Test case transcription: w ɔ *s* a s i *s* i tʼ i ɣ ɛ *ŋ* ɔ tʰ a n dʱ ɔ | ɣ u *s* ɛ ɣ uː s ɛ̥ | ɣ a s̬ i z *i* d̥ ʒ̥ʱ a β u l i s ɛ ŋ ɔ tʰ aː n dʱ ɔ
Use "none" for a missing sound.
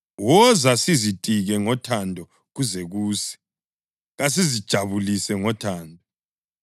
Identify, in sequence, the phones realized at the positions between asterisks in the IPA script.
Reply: z, z, ŋ, z, i

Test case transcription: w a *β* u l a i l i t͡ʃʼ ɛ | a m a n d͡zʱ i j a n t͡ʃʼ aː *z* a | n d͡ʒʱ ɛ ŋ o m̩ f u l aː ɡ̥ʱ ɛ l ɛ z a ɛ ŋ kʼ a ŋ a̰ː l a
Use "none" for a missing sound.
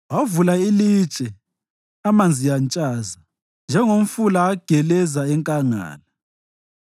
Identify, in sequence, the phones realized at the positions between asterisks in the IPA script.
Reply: v, z

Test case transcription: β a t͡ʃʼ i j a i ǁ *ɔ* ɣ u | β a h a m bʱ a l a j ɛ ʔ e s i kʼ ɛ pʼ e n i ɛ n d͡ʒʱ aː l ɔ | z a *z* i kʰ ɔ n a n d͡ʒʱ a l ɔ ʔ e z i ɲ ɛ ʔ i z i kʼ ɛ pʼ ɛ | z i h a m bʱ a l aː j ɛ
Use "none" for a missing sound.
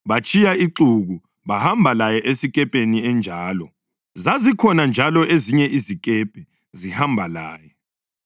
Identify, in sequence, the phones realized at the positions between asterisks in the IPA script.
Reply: u, z

